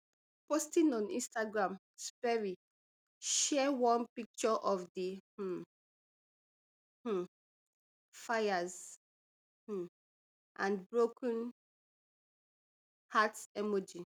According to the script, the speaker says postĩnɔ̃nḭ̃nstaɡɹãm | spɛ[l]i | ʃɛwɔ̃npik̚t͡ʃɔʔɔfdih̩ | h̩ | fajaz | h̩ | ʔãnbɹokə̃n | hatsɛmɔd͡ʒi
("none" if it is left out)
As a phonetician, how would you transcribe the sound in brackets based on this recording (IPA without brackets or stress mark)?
ɹ